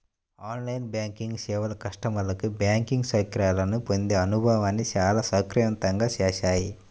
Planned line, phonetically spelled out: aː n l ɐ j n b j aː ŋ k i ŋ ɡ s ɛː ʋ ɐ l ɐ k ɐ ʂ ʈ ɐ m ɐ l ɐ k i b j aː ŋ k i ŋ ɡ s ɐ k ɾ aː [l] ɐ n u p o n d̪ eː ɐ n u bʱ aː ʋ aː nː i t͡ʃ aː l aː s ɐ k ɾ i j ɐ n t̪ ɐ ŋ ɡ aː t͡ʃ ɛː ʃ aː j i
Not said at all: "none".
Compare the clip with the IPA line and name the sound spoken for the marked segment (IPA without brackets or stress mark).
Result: l